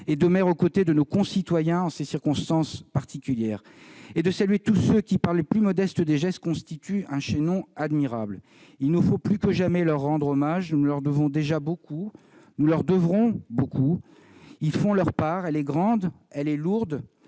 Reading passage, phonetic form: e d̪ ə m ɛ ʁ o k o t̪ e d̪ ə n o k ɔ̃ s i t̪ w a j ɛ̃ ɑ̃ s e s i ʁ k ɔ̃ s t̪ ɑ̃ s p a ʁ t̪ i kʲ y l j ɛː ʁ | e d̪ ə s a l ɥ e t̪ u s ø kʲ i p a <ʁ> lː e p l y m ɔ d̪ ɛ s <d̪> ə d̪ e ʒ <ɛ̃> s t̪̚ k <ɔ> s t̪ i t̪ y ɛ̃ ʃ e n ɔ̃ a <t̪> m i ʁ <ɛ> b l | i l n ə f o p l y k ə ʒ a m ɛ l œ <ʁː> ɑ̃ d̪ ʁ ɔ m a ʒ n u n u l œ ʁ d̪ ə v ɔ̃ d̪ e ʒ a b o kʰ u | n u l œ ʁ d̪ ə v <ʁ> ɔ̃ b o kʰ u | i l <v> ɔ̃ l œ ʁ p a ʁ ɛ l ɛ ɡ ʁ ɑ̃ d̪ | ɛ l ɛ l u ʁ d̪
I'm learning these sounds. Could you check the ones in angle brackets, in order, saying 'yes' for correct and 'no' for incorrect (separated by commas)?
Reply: yes, no, no, no, no, no, yes, yes, no